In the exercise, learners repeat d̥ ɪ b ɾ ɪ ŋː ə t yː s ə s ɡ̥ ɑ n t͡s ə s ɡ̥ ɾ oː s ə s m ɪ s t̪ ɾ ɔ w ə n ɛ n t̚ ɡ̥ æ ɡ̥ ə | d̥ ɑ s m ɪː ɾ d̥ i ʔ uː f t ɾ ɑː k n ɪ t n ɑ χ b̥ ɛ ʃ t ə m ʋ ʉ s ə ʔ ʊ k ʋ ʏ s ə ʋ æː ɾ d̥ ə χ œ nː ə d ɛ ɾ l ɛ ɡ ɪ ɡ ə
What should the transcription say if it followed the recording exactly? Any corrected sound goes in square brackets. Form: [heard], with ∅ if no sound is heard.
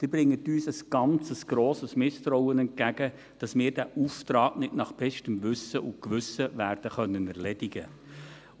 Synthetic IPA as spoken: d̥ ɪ b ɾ ɪ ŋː ə t yː s ə s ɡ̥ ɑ n t͡s ə s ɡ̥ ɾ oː s ə s m ɪ s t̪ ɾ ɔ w ə n ɛ n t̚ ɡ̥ æ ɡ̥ ə | d̥ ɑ s m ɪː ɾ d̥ [æ] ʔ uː f t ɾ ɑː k n ɪ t n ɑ χ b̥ ɛ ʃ t ə m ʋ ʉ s ə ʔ ʊ k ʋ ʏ s ə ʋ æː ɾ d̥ ə χ œ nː ə [n] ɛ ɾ l ɛ [d] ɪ ɡ ə